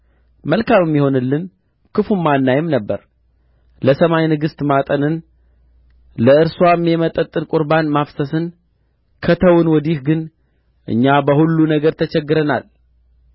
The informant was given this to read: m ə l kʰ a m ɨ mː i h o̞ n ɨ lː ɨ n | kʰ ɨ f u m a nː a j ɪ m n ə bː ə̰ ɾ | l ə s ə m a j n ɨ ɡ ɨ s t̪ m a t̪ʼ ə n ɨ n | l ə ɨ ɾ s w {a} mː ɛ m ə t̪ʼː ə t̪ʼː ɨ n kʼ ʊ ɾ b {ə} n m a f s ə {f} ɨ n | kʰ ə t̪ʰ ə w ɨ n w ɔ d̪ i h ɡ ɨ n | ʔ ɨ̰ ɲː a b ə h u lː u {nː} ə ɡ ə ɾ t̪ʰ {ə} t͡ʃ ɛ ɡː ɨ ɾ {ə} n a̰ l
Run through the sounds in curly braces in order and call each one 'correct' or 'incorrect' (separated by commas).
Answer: correct, incorrect, incorrect, incorrect, correct, correct